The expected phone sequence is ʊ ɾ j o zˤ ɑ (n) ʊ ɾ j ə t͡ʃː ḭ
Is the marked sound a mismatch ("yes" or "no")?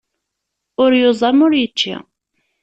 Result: yes